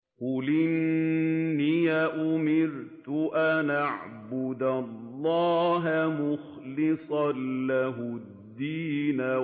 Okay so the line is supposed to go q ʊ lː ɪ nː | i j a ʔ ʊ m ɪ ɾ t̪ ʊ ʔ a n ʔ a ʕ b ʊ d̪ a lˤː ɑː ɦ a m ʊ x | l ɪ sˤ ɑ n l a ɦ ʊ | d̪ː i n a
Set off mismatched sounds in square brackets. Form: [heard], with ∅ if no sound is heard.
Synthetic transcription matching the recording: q ʊ [l] ɪ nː | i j a ʔ ʊ m ɪ ɾ t̪ ʊ ʔ a n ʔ a ʕ b ʊ d̪ a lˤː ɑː ɦ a m ʊ x | l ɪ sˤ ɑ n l a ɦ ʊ | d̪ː [iː] n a

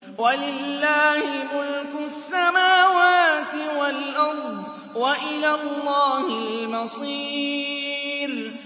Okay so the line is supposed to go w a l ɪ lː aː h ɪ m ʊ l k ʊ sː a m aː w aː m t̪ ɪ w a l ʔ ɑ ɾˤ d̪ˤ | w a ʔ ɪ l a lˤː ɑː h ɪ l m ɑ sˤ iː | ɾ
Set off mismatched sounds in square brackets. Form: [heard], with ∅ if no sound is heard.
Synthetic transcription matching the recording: w a l ɪ lː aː h ɪ m ʊ l k ʊ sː a m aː w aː [∅] t̪ ɪ w a l ʔ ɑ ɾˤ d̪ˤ | w a ʔ ɪ l a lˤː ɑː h ɪ l m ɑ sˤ iː | ɾ

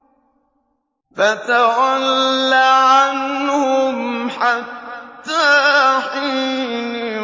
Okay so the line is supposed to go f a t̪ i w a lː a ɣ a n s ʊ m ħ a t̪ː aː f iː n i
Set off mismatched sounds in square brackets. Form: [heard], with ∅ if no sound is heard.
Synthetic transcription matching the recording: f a t̪ [a] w a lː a [ʕ] a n [h] ʊ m ħ a t̪ː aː [ħ] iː n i

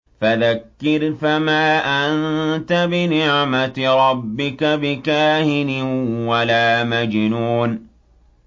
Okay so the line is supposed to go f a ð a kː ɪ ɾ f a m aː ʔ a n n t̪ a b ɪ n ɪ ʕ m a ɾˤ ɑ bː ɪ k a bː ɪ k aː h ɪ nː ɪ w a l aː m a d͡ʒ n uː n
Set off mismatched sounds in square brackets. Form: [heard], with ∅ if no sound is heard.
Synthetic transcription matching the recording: f a ð a kː ɪ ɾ f a m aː ʔ a n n t̪ a b ɪ n ɪ ʕ m a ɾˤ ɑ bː ɪ k a [b] ɪ k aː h ɪ [n] ɪ w a l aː m a d͡ʒ n uː n

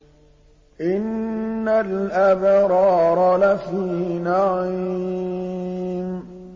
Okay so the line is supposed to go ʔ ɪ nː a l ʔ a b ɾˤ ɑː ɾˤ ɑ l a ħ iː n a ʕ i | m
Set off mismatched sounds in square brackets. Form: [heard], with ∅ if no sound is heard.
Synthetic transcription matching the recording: ʔ ɪ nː a l ʔ a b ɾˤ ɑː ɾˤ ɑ l a [f] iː n a ʕ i | m

